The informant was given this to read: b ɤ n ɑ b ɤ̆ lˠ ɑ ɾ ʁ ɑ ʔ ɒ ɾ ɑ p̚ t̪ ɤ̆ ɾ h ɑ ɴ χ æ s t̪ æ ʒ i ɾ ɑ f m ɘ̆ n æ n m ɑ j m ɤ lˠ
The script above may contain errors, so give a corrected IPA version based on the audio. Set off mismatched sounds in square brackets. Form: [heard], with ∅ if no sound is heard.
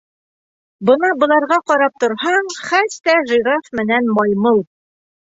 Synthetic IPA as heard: b ɤ n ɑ b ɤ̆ lˠ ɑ ɾ ʁ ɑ [q] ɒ ɾ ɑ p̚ t̪ [ŏ] ɾ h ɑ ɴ χ æ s t̪ æ ʒ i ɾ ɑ f m ɘ̆ n æ n m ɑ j m ɤ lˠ